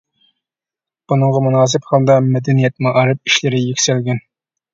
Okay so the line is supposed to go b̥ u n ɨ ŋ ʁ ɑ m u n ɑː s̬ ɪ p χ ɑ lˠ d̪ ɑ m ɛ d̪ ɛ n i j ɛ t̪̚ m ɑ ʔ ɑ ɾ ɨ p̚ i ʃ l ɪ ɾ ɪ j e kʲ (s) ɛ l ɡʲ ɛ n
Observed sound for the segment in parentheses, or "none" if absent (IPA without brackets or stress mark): s